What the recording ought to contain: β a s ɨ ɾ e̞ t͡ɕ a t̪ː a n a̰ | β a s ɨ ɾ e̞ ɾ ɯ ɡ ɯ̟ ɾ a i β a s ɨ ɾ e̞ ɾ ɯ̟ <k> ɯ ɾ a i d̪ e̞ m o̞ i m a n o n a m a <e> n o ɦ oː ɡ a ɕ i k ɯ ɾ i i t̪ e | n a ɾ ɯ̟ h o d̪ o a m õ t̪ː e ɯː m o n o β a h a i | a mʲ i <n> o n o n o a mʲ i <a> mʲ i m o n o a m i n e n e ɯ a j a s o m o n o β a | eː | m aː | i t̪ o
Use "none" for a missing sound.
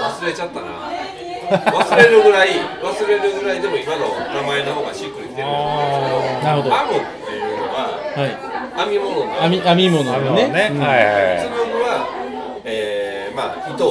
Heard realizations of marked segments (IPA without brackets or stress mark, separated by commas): ɡ, e, m, a